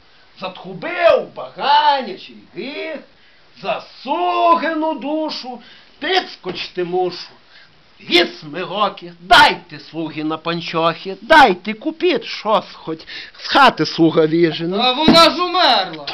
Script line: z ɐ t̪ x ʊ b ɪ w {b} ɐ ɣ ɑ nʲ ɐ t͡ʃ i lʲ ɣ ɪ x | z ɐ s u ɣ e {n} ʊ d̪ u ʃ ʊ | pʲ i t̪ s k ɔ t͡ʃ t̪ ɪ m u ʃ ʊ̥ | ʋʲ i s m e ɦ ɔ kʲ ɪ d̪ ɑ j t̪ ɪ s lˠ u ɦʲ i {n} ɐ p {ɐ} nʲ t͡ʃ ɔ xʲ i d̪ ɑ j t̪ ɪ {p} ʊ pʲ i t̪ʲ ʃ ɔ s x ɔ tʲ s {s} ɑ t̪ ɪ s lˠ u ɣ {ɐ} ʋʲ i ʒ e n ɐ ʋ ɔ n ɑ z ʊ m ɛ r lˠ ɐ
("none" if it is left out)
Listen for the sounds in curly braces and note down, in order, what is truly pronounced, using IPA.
b, n, n, ɐ, k, x, ɐ

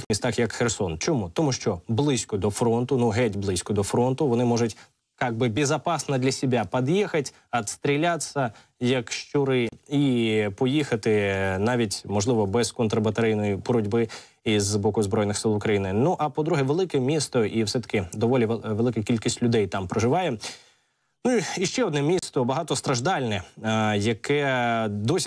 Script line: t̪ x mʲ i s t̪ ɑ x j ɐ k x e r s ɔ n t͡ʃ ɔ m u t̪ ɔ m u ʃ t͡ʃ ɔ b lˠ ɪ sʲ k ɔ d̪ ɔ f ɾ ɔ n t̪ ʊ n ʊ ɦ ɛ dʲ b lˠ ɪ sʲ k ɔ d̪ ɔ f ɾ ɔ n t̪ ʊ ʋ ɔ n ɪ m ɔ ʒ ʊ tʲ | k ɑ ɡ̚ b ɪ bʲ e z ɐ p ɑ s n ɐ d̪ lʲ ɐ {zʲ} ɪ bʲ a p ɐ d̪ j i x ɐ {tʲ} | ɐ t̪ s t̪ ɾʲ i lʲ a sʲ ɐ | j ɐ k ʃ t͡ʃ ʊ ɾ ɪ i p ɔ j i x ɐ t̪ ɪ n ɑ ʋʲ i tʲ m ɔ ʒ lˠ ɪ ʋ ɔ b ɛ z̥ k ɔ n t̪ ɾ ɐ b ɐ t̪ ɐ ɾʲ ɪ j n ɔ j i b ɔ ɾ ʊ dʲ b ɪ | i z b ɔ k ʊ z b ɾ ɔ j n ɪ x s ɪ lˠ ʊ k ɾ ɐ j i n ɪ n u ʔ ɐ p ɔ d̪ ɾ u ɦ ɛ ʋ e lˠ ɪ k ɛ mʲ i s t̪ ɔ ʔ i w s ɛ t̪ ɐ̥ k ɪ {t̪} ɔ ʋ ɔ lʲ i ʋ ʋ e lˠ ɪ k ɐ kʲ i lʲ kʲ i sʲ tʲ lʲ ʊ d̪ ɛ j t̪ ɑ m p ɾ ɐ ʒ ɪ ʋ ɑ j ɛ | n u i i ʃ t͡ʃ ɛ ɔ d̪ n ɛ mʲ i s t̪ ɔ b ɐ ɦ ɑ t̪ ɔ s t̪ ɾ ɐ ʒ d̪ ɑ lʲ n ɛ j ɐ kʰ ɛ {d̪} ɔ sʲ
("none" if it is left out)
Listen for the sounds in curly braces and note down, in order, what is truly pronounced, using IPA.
sʲ, tʲ, d̪, d̪

